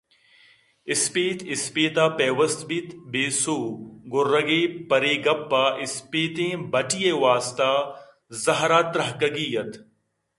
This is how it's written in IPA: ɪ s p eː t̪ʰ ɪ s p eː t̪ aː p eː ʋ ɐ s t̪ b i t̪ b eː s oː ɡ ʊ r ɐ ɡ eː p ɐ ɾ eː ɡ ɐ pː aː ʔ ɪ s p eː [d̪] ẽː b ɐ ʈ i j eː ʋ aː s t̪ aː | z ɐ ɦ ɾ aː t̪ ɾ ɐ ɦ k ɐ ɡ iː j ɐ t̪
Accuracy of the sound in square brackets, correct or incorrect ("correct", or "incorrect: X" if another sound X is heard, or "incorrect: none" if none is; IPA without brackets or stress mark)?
incorrect: t̪